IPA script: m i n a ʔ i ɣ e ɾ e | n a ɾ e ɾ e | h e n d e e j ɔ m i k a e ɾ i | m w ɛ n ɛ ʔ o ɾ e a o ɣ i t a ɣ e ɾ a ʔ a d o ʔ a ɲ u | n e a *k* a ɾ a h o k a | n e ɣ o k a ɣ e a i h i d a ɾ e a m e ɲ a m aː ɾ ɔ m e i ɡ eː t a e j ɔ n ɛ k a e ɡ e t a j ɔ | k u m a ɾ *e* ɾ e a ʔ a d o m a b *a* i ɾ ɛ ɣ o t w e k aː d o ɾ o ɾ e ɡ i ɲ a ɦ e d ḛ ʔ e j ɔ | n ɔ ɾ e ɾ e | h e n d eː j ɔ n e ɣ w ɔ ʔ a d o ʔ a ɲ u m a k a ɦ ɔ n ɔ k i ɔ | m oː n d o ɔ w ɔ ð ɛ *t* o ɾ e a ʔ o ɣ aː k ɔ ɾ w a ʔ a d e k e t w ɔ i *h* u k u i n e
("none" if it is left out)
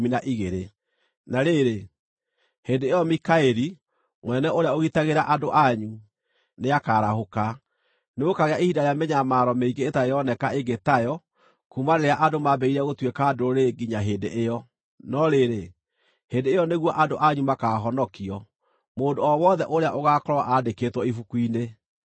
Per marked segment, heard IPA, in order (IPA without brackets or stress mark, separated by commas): k, e, ɛ, ʔ, f